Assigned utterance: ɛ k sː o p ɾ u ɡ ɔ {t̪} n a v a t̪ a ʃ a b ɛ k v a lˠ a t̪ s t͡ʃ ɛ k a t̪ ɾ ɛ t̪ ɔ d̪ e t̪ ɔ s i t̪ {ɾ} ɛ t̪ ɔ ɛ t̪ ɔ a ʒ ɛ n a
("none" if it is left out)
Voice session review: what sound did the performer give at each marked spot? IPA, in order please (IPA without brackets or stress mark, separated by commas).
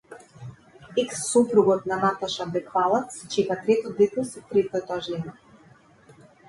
t̪, ɾ